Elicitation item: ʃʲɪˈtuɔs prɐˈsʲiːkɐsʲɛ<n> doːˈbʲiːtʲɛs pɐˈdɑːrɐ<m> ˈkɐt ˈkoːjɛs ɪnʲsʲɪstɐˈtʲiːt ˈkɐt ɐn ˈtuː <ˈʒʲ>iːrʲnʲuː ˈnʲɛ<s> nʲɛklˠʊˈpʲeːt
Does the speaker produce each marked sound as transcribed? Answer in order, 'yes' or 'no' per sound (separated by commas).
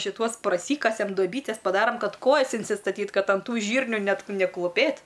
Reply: no, yes, yes, no